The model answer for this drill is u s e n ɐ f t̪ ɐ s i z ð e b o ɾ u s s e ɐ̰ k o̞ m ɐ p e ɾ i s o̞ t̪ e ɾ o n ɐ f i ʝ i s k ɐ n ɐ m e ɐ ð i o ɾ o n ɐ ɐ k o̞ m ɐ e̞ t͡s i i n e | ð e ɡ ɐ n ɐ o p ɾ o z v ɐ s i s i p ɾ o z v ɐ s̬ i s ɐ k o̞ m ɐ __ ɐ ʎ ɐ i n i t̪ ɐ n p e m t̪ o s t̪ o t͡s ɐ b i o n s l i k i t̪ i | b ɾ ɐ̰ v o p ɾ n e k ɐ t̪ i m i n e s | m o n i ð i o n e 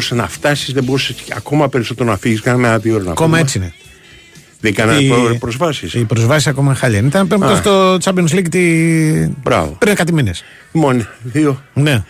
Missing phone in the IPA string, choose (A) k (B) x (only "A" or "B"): B